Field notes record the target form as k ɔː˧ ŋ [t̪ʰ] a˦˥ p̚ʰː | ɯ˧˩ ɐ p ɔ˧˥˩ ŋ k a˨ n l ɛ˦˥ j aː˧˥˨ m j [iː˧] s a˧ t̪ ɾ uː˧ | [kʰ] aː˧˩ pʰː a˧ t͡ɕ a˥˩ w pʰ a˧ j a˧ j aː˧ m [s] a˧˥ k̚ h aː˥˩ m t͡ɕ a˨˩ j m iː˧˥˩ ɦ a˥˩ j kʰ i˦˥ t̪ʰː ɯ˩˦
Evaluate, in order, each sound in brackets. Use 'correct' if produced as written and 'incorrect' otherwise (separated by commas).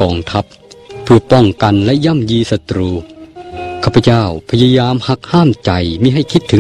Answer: correct, correct, correct, incorrect